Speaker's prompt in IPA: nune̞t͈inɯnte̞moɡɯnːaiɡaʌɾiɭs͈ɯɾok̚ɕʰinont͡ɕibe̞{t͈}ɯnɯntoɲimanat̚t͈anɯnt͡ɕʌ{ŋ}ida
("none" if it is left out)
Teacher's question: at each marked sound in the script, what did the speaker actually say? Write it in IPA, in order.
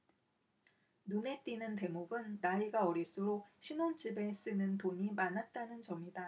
s͈, m

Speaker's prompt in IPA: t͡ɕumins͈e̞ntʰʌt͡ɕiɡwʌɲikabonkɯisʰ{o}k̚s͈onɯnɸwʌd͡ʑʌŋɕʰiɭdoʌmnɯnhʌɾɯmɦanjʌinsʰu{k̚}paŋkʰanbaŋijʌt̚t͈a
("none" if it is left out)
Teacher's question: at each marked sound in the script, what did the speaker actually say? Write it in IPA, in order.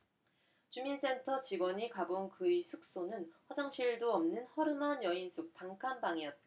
u, k̚

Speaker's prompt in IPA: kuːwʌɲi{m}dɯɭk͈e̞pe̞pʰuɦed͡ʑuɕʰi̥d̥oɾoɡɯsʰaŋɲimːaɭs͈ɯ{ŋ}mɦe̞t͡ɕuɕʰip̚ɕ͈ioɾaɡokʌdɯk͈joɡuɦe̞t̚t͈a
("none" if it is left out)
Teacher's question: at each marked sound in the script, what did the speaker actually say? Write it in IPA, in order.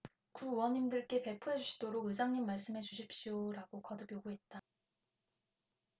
m, none

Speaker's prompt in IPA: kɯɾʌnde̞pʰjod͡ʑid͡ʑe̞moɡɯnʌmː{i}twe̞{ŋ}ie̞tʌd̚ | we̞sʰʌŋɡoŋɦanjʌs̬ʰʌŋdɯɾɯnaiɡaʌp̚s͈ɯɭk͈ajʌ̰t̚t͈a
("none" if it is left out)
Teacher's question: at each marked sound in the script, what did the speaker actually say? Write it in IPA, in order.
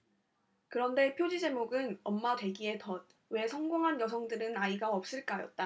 a, ɡ

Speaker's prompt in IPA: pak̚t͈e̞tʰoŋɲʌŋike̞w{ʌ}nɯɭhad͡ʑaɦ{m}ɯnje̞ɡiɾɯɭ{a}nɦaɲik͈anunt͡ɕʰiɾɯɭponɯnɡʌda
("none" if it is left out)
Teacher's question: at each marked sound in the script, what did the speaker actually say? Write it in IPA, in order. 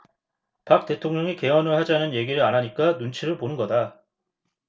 ʌ, n, a

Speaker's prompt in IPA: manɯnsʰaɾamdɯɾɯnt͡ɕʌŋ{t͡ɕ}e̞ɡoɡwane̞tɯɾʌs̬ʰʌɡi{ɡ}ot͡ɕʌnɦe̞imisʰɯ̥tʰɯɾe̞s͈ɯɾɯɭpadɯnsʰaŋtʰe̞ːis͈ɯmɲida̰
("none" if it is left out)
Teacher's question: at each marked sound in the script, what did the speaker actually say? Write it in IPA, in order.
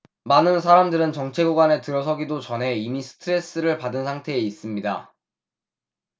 t͡ɕʰ, d

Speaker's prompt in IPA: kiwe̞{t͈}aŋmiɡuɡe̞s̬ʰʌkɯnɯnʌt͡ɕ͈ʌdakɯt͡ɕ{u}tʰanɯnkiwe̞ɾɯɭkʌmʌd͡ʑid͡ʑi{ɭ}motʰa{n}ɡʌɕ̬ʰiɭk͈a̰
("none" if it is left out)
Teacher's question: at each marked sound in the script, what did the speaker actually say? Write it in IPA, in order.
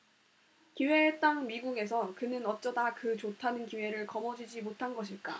t͈, o, none, n

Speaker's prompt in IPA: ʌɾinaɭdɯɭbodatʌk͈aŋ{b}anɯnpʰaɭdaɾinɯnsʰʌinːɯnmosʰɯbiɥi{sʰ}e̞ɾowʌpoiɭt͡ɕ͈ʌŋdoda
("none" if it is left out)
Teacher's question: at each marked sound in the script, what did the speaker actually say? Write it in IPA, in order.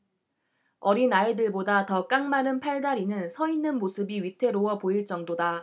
m, tʰ

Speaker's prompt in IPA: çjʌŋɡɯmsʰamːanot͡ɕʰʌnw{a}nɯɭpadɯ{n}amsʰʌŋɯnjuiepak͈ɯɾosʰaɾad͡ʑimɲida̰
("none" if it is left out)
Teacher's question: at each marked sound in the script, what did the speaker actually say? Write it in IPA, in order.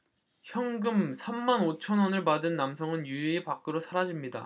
ʌ, nː

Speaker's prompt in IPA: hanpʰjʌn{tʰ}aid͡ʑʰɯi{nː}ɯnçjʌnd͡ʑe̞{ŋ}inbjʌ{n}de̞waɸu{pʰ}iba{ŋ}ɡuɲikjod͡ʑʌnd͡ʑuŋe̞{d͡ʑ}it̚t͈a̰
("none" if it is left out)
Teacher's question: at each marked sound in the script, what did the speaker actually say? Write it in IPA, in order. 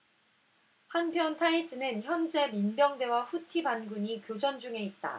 tʰ, n, m, ŋ, tʰ, n, none

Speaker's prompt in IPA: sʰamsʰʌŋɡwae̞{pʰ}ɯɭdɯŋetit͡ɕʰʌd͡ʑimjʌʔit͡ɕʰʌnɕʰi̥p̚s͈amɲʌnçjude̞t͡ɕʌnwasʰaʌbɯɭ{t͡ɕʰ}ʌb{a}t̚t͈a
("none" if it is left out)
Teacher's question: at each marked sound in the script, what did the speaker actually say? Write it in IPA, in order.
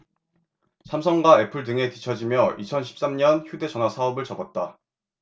pʰ, t͡ɕ, ʌ

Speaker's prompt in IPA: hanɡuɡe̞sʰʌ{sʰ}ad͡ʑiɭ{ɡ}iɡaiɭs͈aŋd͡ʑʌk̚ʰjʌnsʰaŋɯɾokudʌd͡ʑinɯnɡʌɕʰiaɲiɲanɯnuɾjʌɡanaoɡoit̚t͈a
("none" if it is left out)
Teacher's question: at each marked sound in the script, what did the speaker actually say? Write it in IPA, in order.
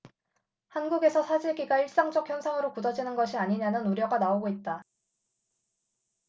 sʰ, ɡ

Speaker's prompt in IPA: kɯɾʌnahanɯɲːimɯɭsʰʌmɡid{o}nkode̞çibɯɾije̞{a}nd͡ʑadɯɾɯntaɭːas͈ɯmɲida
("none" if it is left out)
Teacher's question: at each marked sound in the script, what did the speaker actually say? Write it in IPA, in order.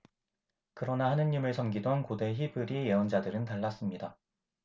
o, ʌ

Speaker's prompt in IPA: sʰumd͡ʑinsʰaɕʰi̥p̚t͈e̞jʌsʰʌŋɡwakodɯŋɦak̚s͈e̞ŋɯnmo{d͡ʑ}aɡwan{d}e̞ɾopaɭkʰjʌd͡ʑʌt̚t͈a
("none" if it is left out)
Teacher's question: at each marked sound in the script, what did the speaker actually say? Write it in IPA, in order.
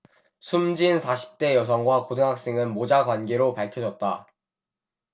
d͡ʑ, ɡ

